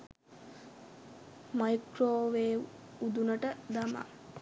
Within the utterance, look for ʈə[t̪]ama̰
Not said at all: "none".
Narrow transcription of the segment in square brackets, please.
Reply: d̪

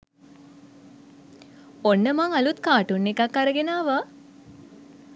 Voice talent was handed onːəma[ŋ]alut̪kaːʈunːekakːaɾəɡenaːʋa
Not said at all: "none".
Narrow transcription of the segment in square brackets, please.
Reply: ŋ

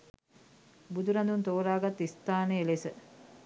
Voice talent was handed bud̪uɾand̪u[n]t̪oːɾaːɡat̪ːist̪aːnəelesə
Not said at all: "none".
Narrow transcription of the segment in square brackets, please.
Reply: n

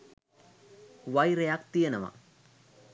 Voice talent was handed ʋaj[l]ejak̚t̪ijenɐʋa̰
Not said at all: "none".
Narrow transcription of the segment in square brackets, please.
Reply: ɾ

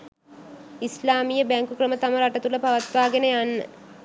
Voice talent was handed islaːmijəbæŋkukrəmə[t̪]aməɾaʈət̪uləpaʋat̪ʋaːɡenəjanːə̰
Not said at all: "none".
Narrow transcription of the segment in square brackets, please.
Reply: t̪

